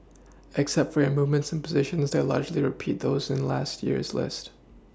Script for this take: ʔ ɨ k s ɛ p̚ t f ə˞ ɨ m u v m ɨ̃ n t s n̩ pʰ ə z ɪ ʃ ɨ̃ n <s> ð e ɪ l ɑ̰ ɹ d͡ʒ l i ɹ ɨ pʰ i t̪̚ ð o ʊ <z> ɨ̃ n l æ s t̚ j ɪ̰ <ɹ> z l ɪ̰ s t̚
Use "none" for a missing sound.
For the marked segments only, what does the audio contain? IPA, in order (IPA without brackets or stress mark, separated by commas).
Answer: z, z, ɹ